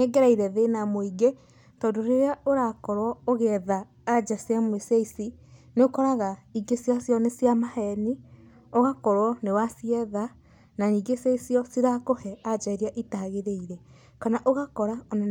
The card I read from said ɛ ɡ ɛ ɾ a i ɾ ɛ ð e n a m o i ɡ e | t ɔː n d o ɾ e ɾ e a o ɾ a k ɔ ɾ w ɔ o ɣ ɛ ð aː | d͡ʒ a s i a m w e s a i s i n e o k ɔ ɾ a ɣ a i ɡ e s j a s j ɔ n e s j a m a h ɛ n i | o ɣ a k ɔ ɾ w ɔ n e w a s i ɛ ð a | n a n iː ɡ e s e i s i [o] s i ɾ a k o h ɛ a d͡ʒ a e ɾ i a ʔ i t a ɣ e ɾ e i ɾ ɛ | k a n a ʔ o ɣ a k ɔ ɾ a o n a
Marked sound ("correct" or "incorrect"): incorrect